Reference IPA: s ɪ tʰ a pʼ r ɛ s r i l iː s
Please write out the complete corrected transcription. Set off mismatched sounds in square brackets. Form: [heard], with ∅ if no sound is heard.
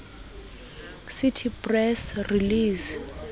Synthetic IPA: s [i] tʰ [i] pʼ r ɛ s r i l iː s